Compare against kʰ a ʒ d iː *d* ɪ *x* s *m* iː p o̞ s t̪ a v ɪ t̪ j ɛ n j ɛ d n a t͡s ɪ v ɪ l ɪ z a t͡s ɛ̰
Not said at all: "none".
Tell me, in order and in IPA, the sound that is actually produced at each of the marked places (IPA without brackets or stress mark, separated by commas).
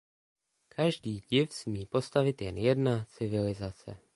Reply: ɟ, f, m